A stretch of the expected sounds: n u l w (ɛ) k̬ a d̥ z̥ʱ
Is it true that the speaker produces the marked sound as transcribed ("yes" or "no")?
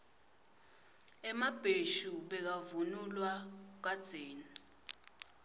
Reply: no